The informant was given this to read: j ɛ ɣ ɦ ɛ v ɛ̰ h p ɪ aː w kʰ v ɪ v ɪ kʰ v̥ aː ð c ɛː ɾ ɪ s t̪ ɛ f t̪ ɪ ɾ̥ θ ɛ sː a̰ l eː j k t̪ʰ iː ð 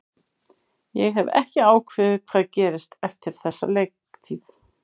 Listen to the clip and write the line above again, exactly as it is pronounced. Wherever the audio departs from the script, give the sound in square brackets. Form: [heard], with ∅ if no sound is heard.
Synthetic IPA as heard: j ɛ ɣ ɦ ɛ v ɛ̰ h [c] ɪ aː w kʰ v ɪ [ð] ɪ kʰ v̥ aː ð c ɛː ɾ ɪ s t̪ ɛ f t̪ ɪ ɾ̥ θ ɛ sː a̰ l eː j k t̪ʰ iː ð